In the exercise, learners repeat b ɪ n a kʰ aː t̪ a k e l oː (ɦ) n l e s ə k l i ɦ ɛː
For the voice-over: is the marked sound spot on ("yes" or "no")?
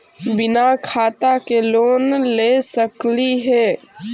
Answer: no